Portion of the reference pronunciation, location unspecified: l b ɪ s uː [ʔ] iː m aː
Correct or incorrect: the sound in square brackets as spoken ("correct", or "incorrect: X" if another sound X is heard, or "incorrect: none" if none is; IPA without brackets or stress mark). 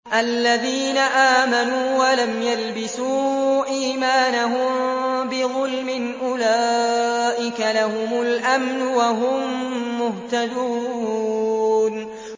correct